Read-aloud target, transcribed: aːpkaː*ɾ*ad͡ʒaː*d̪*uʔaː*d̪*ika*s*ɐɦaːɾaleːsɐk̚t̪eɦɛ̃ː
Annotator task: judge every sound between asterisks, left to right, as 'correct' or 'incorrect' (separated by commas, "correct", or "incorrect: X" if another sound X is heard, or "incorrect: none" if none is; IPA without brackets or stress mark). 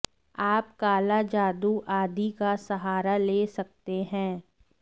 incorrect: l, correct, correct, correct